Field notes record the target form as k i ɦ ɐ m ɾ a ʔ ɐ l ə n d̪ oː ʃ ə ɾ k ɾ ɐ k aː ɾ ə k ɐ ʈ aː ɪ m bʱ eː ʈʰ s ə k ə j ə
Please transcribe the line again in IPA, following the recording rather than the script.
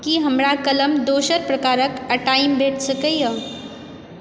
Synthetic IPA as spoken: k i ɦ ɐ m ɾ a k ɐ l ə m d̪ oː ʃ ə ɾ p ɾ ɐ k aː ɾ ə k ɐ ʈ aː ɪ m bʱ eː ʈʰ s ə k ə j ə